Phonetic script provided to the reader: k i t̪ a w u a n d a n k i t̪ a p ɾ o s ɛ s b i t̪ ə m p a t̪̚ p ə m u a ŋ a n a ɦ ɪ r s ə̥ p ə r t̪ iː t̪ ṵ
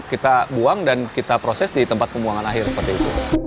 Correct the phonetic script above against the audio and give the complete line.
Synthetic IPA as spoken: k i t̪ a b u a ŋ d a n k i t̪ a p ɾ o s ɛ s d i t̪ ə m p a t̪̚ p ə m u a ŋ a n a ɦ ɪ r s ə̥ p ə r t̪ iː t̪ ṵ